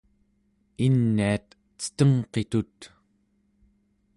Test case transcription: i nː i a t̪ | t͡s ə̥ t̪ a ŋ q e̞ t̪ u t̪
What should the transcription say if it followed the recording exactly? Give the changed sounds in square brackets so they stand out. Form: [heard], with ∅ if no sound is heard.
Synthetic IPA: i nː i a t̪ | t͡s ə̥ t̪ [ə] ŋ q e̞ t̪ u t̪